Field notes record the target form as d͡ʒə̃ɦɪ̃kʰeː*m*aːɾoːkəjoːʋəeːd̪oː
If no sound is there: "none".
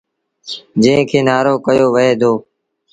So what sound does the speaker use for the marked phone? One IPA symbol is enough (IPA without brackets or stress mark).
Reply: n